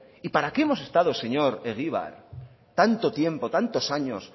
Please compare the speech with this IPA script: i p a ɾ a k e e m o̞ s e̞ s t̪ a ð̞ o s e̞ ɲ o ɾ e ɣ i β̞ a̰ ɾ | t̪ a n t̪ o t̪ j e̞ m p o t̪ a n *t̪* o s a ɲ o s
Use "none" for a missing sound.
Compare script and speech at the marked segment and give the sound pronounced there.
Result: t̪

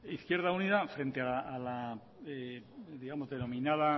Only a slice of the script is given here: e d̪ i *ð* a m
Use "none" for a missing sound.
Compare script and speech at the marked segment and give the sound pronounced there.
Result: ɣ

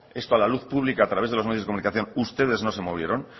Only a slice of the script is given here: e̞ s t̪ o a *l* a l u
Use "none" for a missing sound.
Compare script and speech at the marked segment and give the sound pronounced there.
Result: l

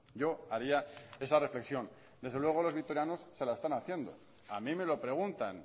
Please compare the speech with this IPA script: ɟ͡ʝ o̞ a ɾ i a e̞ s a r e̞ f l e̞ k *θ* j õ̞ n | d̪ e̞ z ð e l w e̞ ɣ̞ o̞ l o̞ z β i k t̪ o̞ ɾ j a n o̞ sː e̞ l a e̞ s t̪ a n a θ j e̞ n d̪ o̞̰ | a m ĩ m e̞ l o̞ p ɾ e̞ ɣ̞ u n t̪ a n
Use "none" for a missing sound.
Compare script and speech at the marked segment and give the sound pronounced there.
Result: s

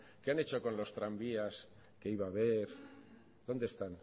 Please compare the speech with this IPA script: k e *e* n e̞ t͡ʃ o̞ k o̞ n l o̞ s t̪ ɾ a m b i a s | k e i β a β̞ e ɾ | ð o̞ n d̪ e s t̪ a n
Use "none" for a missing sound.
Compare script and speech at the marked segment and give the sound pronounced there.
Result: a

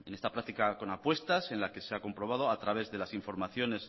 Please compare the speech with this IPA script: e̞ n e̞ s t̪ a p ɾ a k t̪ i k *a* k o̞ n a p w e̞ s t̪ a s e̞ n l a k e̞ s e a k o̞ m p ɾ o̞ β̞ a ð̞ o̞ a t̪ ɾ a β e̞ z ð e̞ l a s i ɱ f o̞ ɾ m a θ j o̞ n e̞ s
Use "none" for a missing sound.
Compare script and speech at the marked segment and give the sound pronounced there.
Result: a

